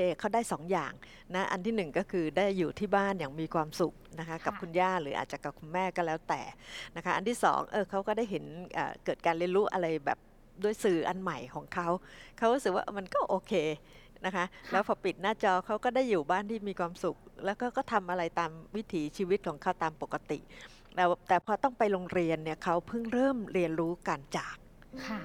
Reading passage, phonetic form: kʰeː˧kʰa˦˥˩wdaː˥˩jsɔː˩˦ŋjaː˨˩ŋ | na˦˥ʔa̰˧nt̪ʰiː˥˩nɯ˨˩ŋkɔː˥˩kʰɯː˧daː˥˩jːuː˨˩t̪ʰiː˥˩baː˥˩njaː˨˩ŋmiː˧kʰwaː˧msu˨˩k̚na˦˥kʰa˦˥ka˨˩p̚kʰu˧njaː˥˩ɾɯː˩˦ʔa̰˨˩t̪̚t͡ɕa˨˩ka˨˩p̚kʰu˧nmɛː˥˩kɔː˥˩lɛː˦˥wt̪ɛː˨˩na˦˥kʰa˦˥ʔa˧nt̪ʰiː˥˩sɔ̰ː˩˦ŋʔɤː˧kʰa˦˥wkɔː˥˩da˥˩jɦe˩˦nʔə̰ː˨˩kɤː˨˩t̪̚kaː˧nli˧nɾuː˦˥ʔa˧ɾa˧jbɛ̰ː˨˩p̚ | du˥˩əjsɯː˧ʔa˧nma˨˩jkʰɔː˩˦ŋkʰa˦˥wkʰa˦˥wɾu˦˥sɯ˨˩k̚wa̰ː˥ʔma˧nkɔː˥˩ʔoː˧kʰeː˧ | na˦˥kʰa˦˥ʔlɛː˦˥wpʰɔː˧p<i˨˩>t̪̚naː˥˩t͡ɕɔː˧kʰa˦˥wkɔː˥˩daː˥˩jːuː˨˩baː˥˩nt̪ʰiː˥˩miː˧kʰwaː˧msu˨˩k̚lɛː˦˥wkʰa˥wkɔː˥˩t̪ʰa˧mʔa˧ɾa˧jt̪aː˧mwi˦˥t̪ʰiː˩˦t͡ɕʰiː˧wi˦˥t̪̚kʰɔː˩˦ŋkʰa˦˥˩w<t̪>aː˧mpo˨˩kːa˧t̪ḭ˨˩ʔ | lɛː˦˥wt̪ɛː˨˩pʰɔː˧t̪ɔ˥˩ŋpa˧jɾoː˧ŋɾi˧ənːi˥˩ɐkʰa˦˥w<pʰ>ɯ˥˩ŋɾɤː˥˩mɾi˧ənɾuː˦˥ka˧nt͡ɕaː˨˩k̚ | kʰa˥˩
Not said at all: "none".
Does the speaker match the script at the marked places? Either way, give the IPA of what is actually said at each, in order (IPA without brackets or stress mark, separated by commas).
i˨˩, t̪, pʰ